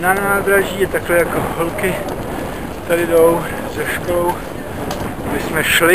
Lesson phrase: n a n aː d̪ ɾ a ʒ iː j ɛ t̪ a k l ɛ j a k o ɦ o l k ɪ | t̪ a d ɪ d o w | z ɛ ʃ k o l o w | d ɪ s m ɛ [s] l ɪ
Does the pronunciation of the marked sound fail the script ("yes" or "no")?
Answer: yes